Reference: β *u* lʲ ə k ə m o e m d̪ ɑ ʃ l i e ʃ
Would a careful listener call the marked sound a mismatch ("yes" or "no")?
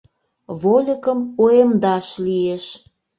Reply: yes